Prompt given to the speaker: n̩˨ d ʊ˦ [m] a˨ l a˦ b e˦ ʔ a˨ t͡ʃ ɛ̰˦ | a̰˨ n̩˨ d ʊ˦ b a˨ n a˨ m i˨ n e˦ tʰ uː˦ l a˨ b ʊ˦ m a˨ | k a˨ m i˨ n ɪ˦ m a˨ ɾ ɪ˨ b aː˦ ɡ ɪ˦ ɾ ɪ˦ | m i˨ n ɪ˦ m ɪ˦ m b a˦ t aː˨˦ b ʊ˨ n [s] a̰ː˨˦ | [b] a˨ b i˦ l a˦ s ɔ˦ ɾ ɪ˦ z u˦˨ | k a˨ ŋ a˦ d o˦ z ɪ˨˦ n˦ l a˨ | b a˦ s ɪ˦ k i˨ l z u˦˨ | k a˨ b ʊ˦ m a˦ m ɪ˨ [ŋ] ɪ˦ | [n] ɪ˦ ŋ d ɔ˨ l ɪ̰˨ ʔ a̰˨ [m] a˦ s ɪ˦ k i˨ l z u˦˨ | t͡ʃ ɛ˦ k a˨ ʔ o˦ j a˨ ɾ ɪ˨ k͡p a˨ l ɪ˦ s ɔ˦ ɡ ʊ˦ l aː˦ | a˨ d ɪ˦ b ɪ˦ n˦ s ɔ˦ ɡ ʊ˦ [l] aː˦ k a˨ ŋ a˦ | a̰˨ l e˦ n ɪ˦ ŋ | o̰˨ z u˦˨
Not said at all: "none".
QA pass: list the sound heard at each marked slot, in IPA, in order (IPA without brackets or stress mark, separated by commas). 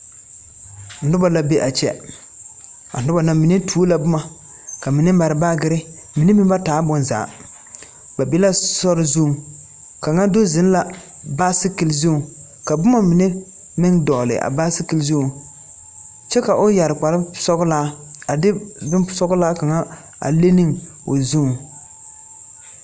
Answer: b, z, b, n, m, b, l